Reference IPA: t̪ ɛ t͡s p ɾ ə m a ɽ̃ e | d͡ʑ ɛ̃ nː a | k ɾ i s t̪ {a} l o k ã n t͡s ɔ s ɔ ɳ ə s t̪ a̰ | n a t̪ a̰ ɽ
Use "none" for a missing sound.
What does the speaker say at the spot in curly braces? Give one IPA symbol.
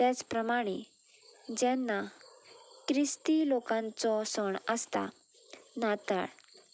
i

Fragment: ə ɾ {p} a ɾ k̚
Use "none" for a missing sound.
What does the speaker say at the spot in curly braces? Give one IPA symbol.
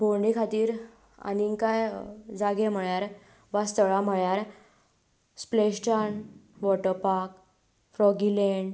p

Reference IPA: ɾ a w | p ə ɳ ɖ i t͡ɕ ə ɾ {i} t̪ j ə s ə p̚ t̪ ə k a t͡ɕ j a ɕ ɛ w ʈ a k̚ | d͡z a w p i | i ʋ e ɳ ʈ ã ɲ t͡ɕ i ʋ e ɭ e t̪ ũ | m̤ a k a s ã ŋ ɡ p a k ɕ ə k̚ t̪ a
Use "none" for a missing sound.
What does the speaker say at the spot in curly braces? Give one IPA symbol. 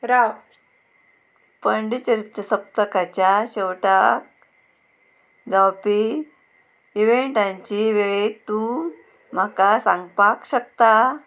i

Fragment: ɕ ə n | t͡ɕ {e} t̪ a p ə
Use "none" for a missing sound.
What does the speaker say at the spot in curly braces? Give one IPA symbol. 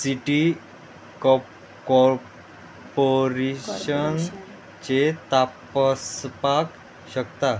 e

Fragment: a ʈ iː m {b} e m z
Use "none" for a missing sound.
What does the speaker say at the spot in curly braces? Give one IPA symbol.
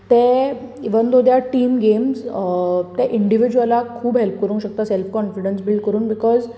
ɡ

